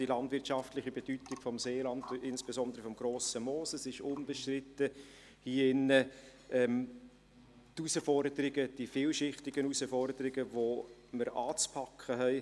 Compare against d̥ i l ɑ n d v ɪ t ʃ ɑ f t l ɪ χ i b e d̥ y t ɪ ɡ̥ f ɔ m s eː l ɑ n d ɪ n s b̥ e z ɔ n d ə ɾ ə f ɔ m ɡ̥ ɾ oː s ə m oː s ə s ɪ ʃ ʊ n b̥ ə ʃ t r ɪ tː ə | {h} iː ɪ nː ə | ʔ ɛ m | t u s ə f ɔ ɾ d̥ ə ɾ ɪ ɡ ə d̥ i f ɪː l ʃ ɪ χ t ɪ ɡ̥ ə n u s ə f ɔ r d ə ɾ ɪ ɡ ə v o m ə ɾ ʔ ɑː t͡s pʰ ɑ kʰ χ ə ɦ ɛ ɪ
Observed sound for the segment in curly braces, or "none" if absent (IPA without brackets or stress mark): h